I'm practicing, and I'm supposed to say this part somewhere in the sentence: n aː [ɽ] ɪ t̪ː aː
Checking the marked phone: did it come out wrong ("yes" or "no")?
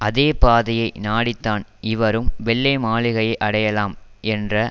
no